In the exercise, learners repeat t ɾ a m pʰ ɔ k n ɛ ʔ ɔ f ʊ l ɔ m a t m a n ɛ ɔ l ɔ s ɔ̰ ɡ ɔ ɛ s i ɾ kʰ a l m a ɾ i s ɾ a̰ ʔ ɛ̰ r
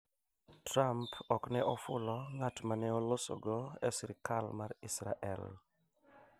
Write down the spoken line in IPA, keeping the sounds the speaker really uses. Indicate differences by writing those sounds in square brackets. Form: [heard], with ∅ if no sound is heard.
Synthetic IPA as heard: t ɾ a m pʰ ɔ k n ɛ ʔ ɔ f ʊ l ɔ [ŋ] a t m a n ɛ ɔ l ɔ s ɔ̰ ɡ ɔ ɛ s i ɾ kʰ a l m a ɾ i s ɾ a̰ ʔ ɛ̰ [l]